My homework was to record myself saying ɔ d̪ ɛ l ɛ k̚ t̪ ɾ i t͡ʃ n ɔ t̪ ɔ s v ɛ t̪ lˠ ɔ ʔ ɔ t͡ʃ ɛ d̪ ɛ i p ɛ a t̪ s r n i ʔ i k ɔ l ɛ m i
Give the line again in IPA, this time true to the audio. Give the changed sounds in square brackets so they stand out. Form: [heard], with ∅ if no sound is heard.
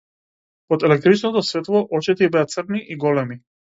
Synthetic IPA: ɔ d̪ ɛ l ɛ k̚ t̪ ɾ i t͡ʃ n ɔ t̪ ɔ s v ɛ t̪ lˠ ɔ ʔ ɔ t͡ʃ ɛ [t̪] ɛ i [b] ɛ a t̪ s r n i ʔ i [ɡ] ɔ l ɛ m i